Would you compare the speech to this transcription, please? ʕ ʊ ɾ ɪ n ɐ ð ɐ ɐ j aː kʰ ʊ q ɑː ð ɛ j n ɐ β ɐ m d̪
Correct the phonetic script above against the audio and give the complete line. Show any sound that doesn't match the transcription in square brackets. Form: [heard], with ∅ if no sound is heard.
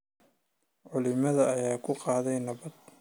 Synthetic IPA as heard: ʕ ʊ [l] ɪ [m] ɐ ð ɐ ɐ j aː kʰ ʊ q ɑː ð ɛ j n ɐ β ɐ [∅] d̪